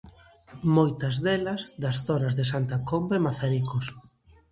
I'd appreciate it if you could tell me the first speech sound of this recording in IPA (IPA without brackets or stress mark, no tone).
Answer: m